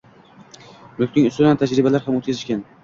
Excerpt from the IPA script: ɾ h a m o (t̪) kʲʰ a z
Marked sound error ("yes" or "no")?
no